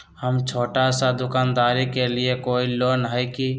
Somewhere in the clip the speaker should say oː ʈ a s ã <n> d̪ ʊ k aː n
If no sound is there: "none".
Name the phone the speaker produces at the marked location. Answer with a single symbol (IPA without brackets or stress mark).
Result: none